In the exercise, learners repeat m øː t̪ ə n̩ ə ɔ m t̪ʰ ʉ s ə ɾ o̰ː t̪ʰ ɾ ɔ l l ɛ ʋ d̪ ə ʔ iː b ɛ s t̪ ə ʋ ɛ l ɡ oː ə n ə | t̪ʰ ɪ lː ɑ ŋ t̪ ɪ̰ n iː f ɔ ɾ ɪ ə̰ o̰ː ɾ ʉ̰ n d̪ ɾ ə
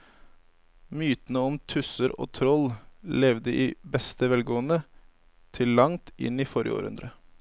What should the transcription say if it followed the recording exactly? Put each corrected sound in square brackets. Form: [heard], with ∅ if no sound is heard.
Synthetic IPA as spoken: m [yː] t̪ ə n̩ ə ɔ m t̪ʰ ʉ s ə ɾ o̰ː t̪ʰ ɾ ɔ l l ɛ ʋ d̪ ə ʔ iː b ɛ s t̪ ə ʋ ɛ l ɡ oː ə n ə | t̪ʰ ɪ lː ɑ ŋ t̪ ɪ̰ n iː f ɔ ɾ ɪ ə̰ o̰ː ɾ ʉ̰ n d̪ ɾ ə